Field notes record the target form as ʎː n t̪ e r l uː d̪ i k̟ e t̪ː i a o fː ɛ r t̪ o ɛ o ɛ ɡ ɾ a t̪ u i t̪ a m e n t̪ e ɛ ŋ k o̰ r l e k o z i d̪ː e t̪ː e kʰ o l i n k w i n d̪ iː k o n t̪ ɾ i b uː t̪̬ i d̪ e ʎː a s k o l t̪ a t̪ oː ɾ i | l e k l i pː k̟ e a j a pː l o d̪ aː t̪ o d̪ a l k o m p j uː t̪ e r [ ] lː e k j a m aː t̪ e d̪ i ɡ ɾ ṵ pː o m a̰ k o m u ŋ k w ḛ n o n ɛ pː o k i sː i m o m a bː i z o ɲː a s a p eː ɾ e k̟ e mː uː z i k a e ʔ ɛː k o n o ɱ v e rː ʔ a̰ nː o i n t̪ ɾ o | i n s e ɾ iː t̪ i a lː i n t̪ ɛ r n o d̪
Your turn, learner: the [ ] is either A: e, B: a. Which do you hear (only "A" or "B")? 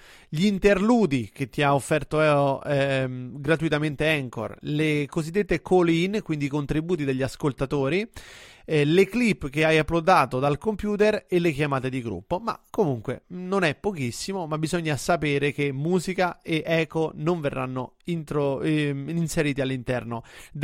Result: A